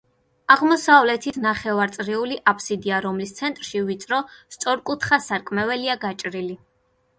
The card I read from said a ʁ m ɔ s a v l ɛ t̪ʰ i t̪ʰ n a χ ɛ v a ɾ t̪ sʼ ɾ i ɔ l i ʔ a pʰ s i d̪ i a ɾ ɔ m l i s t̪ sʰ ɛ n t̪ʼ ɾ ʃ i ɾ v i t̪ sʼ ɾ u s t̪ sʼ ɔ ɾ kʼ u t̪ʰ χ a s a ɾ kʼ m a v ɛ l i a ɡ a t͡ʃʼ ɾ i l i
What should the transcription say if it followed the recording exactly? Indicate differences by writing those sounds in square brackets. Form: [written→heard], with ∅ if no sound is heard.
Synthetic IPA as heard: a ʁ m ɔ s a v l ɛ t̪ʰ i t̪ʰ n a χ ɛ v a ɾ t̪ sʼ ɾ i [ɔ→u] l i ʔ a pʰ s i d̪ i a ɾ ɔ m l i s t̪ sʰ ɛ n t̪ʼ ɾ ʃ i [ɾ→∅] v i t̪ sʼ ɾ [u→ɔ] s t̪ sʼ ɔ ɾ kʼ u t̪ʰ χ a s a ɾ kʼ m [a→ɛ] v ɛ l i a ɡ a t͡ʃʼ ɾ i l i